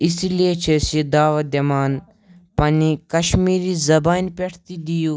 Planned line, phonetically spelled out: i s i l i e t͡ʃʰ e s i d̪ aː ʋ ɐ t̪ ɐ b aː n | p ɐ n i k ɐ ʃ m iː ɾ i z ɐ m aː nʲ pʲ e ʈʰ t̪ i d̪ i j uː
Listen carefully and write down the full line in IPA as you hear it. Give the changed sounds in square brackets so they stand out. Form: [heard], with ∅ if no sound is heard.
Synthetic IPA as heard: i s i l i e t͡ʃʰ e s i d̪ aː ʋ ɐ [d̪] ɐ [m] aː n | p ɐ n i k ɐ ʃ m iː ɾ i z ɐ [b] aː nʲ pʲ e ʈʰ t̪ i d̪ i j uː